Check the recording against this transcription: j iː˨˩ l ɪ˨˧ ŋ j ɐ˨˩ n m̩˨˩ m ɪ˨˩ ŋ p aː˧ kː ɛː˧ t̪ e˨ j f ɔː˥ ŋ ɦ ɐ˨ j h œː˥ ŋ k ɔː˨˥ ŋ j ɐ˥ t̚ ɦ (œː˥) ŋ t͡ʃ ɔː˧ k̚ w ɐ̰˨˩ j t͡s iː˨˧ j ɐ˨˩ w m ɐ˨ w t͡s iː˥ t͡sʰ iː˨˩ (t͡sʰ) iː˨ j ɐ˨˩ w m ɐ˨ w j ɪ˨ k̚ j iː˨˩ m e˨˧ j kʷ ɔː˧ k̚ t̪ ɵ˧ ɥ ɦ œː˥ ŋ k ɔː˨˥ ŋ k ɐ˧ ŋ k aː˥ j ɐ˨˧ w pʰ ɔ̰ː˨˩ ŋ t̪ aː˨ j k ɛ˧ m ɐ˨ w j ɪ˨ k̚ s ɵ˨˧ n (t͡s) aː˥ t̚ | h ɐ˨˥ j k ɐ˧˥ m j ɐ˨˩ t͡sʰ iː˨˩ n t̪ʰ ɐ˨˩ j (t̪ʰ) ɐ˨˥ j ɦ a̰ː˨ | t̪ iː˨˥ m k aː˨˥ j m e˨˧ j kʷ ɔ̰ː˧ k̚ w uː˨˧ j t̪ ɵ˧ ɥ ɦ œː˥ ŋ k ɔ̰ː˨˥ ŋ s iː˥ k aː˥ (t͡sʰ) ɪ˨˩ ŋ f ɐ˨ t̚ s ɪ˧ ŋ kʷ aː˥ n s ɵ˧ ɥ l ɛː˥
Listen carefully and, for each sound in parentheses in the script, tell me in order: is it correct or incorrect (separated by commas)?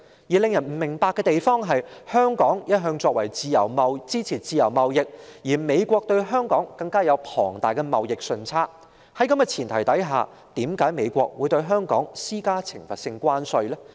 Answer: incorrect, incorrect, incorrect, incorrect, correct